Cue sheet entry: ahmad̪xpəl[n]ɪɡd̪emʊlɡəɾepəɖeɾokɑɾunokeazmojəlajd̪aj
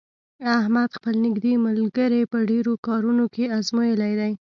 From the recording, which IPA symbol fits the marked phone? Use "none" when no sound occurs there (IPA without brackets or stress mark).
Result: n